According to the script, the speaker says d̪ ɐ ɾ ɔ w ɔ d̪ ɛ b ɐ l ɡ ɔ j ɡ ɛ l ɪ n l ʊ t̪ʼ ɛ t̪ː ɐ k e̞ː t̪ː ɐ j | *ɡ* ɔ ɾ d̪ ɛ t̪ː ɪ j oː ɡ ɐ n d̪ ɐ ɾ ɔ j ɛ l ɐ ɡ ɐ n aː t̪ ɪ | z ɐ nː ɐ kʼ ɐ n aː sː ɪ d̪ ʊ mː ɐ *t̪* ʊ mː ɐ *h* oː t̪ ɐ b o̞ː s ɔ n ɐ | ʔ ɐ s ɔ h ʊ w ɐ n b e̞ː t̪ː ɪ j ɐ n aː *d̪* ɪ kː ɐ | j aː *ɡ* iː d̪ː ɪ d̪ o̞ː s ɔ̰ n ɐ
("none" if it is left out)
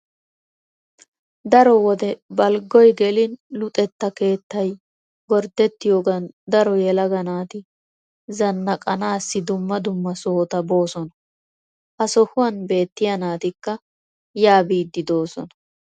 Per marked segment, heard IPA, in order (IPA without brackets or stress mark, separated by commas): ɡ, d̪, s, t̪, b